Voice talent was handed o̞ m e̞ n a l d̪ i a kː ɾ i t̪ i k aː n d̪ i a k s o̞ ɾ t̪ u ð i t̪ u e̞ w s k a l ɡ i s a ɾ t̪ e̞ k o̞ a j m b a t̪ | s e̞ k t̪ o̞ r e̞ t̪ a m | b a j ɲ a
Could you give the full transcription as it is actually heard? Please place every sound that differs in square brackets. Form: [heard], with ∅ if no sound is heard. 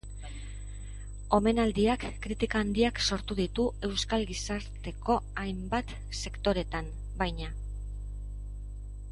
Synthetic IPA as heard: o̞ m e̞ n a l d̪ i a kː ɾ i t̪ i k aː n d̪ i a k s o̞ ɾ t̪ u ð i t̪ u e̞ w s k a l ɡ i s a ɾ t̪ e̞ k o̞ a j m b a t̪ | s e̞ k t̪ o̞ [ɾ] e̞ t̪ a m | b a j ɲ a